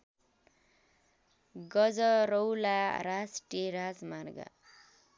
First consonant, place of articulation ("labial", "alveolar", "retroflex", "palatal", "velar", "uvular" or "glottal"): velar